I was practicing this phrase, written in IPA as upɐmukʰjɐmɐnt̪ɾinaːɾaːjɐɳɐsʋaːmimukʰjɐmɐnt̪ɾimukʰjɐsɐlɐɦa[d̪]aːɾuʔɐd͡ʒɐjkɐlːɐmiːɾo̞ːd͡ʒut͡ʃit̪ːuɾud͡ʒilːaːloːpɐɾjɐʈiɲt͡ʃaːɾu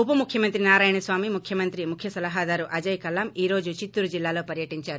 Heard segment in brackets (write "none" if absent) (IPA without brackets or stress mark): d̪